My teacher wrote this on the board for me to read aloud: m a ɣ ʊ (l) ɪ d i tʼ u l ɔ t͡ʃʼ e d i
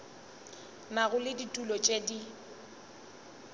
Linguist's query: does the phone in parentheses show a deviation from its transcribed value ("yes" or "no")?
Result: no